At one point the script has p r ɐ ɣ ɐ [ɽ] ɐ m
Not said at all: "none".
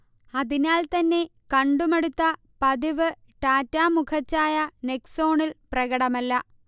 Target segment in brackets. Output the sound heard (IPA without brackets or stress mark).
ɽ